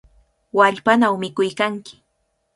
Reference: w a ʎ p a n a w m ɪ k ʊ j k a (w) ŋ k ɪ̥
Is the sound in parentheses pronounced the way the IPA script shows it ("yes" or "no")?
no